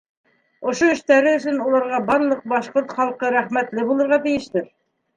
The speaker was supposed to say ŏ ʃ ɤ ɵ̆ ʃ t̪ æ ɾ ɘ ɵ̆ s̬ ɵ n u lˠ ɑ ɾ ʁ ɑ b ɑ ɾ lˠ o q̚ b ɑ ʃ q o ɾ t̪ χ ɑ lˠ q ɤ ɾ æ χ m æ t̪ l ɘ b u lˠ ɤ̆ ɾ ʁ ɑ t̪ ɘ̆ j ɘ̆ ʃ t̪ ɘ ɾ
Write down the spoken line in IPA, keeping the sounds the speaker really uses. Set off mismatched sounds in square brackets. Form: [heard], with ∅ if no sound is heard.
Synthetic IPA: ŏ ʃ [o] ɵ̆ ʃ t̪ æ ɾ ɘ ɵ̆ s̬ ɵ n u lˠ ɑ ɾ ʁ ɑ b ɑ ɾ lˠ [ɤ] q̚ b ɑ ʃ q o ɾ t̪ χ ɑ lˠ q ɤ ɾ æ χ m æ t̪ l ɘ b u lˠ ɤ̆ ɾ ʁ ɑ t̪ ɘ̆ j ɘ̆ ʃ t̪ ɘ ɾ